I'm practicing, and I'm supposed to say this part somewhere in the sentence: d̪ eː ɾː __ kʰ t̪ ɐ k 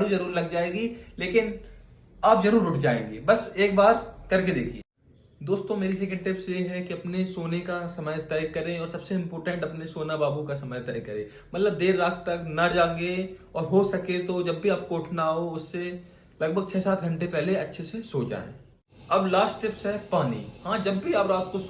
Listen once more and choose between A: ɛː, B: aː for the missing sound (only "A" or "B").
B